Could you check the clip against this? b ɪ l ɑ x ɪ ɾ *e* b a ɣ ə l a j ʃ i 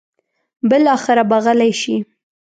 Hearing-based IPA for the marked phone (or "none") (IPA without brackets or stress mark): a